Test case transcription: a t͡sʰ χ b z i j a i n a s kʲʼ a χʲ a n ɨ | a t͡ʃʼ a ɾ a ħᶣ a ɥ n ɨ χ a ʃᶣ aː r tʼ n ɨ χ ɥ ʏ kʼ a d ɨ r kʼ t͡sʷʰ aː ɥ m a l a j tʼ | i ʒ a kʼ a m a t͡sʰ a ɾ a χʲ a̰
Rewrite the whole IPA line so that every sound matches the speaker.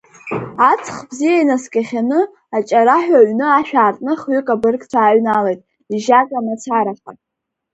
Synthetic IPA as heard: a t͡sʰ χ b z i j a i n a s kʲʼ a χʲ a n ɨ | a t͡ʃʼ a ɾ a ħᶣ a ɥ n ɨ a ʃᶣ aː r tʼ n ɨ χ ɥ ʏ kʼ a b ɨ r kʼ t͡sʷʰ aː ɥ n a l e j tʼ | i ʒ a kʼ a m a t͡sʰ a ɾ a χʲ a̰